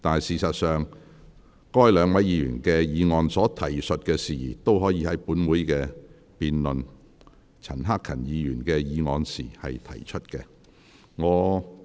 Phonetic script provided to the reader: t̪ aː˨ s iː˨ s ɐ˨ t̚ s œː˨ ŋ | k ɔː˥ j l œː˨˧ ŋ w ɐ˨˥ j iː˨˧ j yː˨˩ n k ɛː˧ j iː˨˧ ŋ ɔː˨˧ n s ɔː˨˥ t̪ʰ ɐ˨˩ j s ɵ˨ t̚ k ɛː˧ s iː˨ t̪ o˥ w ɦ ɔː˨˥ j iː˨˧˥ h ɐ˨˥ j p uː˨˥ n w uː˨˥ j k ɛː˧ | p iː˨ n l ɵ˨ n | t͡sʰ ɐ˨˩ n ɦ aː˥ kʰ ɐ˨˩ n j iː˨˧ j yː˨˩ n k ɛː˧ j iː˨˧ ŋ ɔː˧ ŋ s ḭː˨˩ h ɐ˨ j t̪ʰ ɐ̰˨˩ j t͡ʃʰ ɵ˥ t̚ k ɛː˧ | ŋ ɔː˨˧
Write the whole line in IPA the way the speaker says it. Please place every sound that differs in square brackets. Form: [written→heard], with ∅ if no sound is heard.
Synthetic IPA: t̪ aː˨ s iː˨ s ɐ˨ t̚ s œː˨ ŋ | k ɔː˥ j l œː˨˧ ŋ w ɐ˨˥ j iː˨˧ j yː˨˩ n k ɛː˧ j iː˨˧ ŋ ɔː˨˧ n s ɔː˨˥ t̪ʰ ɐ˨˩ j s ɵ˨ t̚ k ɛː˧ s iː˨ t̪ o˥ w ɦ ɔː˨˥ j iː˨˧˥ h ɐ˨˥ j p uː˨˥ n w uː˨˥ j k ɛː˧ | p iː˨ n l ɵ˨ n | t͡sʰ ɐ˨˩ n ɦ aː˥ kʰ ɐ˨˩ n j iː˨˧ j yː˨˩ n k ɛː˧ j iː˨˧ ŋ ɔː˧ [ŋ→n] s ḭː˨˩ h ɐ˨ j t̪ʰ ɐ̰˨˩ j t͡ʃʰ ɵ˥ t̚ k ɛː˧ | ŋ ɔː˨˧

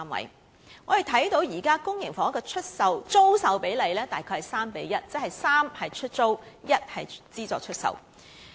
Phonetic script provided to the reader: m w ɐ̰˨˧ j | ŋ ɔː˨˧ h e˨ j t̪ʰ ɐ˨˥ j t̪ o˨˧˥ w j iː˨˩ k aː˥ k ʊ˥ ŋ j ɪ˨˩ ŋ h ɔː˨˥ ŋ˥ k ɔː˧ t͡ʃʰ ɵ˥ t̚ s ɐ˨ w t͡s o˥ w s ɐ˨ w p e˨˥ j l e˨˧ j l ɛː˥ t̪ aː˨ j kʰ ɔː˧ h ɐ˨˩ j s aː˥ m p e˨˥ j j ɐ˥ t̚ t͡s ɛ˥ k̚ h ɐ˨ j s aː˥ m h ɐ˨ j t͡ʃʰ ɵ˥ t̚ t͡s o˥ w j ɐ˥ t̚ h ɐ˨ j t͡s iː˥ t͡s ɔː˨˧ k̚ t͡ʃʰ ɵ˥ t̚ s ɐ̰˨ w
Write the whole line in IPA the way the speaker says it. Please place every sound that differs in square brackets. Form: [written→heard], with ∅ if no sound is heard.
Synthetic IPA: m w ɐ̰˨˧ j | ŋ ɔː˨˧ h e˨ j t̪ʰ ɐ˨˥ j t̪ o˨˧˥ w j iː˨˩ k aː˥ k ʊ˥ ŋ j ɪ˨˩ ŋ [h→f] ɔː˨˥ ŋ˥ k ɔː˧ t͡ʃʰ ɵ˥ t̚ s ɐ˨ w t͡s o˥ w s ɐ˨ w p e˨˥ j l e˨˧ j l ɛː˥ t̪ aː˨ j kʰ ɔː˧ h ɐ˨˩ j s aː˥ m p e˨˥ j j ɐ˥ t̚ t͡s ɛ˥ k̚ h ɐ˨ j s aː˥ m h ɐ˨ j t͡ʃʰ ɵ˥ t̚ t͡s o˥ w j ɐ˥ t̚ h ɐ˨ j t͡s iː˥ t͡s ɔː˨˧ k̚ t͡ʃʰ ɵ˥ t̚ s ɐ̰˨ w

